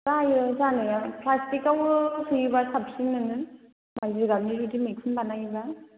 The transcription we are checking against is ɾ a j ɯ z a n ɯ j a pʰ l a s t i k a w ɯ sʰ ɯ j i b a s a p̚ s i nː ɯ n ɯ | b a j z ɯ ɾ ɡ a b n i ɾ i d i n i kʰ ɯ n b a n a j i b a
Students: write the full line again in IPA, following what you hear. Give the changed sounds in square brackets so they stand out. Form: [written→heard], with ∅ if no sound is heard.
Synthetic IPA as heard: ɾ a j ɯ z a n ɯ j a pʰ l a s t i k a w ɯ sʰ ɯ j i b a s a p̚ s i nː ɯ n ɯ | [b→m] a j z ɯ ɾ ɡ a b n i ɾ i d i [n→m] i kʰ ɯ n b a n a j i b a